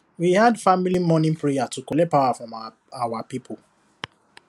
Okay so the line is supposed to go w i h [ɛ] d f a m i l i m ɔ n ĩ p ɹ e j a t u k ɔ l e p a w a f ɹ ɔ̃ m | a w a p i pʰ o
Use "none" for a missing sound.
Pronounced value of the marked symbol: a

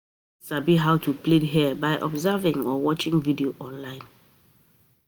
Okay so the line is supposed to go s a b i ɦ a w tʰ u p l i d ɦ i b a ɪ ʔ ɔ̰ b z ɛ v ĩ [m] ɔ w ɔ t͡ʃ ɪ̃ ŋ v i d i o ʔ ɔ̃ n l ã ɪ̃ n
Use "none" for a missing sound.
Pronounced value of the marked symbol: ŋ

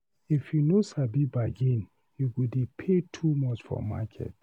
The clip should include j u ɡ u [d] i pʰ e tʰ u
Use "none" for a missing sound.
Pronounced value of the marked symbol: d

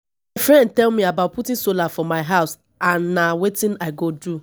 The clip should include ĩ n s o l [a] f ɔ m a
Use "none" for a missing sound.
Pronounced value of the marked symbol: a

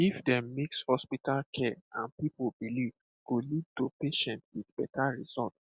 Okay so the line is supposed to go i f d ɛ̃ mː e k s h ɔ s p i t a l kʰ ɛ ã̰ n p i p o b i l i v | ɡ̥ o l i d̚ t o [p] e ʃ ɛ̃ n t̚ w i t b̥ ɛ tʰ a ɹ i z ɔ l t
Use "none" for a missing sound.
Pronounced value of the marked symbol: p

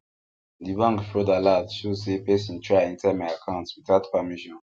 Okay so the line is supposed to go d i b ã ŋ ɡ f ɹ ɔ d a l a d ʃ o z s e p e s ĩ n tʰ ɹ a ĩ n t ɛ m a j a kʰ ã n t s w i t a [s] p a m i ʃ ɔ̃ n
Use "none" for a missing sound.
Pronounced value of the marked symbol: t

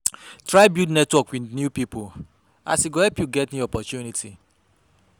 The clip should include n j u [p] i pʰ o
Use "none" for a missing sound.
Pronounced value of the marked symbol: p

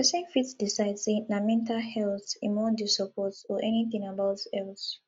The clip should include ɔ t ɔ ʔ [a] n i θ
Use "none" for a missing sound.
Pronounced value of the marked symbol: ɛ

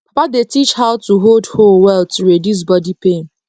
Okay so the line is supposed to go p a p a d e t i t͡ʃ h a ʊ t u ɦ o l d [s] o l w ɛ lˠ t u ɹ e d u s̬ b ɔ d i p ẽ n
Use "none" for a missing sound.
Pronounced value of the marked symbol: h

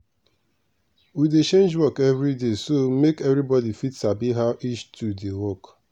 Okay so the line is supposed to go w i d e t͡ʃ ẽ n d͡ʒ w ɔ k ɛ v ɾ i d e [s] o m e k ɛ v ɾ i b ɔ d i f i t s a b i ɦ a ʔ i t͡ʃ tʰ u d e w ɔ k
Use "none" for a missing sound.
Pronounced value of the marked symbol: s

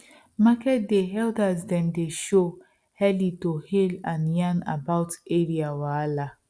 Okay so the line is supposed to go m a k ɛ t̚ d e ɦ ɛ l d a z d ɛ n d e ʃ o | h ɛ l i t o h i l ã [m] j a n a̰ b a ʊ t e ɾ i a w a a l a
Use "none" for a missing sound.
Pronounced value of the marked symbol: n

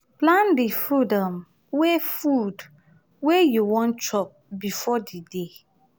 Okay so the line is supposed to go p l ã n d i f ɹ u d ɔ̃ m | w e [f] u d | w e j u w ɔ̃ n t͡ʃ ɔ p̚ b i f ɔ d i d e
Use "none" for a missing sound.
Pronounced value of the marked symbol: f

